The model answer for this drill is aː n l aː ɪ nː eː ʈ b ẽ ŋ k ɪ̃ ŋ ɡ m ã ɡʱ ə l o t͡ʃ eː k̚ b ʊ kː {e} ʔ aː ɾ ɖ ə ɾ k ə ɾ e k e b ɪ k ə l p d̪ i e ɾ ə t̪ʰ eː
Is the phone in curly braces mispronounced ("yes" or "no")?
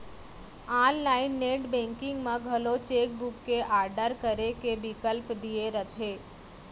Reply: no